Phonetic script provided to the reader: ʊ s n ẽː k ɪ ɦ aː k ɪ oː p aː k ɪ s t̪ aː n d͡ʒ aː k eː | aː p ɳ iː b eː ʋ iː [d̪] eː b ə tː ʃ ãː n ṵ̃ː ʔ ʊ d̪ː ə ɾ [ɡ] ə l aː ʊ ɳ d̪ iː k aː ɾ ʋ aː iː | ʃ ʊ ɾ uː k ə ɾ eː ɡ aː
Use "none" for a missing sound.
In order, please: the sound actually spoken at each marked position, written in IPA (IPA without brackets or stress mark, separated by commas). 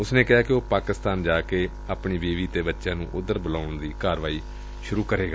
t̪, b